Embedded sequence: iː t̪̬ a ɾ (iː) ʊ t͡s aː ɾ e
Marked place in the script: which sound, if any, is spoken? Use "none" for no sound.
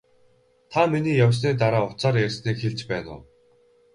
aː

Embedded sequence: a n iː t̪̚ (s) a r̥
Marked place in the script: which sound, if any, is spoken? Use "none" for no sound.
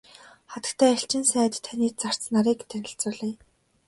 t͡s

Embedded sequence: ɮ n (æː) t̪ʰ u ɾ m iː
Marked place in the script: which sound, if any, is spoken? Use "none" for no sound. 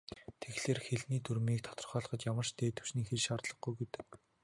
iː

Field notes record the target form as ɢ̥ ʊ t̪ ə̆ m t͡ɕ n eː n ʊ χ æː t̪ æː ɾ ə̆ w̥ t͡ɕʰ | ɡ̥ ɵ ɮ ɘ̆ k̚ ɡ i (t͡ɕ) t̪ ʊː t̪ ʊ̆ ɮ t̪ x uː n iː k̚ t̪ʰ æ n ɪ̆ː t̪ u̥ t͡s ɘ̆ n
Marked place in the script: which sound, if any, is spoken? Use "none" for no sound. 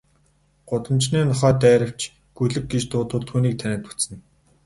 t͡ɕ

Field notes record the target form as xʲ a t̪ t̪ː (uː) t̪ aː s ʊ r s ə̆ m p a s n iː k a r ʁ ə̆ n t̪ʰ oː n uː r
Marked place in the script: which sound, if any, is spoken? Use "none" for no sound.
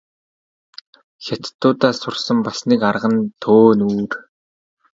ʊː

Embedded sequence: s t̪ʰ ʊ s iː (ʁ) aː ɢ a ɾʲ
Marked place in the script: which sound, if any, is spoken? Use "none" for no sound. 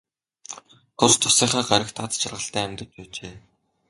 χ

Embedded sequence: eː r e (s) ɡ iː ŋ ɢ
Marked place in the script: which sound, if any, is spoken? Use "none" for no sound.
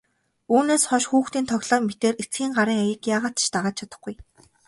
t͡s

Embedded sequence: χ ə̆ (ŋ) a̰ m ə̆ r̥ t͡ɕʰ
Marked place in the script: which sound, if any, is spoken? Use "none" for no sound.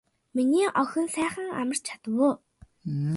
ŋ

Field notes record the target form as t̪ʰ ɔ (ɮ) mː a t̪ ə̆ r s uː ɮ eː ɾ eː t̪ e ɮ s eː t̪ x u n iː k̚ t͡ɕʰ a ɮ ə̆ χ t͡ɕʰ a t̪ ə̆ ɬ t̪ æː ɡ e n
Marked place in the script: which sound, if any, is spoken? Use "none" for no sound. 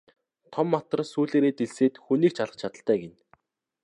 none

